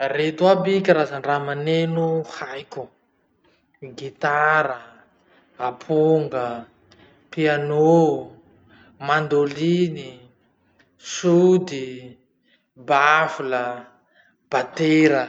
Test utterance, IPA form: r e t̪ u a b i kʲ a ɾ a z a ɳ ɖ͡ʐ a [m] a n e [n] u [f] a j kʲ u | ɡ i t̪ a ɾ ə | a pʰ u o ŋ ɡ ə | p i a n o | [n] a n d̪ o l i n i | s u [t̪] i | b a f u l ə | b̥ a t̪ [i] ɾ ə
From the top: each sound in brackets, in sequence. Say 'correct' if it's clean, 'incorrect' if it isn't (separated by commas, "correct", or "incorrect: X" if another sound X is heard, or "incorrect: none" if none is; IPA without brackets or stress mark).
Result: correct, correct, incorrect: h, incorrect: m, incorrect: d̪, incorrect: e